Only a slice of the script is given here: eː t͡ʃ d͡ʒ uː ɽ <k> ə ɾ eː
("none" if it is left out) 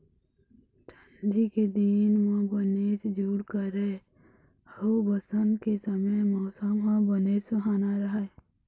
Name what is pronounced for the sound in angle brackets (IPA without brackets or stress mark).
k